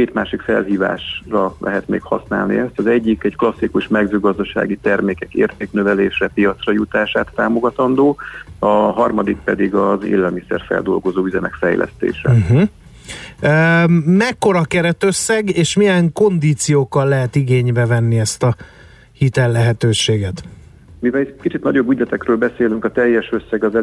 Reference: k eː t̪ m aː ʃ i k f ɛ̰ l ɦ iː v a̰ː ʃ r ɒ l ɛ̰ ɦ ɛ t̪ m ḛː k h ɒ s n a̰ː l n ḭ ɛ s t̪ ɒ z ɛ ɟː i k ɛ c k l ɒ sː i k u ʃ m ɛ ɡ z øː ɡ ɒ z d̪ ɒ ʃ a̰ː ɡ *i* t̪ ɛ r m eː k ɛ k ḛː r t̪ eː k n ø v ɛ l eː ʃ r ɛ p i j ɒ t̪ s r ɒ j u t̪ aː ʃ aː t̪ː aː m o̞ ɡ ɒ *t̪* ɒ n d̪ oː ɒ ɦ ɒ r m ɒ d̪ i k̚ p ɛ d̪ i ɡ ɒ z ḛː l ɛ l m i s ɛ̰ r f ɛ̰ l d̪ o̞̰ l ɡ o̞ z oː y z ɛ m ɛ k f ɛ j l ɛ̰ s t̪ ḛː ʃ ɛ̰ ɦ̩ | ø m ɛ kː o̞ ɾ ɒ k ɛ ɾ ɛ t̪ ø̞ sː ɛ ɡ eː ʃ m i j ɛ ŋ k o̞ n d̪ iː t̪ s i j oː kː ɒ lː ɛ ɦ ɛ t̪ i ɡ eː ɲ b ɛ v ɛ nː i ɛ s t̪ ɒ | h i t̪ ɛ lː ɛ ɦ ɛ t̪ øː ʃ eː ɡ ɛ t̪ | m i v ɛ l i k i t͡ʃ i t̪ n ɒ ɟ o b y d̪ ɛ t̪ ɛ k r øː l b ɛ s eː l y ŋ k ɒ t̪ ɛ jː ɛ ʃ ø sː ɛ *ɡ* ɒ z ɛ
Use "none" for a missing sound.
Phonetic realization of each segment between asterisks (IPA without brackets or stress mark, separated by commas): i, t̪, ɡ